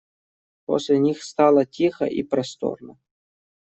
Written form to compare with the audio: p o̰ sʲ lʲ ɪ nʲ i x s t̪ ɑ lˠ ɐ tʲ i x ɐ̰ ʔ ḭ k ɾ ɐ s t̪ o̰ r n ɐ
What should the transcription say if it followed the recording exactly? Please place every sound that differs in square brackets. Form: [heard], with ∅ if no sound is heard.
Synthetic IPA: p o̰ sʲ lʲ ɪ nʲ i x s t̪ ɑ lˠ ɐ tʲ i x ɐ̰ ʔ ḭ [p] ɾ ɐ s t̪ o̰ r n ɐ